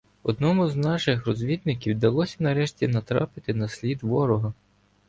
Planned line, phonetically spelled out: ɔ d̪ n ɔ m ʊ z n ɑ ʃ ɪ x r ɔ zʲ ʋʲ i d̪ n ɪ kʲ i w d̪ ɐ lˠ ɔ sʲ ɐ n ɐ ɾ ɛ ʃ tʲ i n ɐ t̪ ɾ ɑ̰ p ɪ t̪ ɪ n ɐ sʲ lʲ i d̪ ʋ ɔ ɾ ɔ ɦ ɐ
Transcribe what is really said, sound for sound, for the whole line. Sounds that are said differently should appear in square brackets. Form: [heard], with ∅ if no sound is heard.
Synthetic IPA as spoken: ɔ d̪ n ɔ m ʊ z n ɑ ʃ ɪ x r ɔ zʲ ʋʲ i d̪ n ɪ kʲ i w d̪ ɐ lˠ ɔ sʲ ɐ n ɐ ɾ ɛ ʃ tʲ i n ɐ t̪ ɾ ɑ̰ p ɪ t̪ ɪ n ɐ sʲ lʲ i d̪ ʋ ɔ ɾ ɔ ɦ ɐ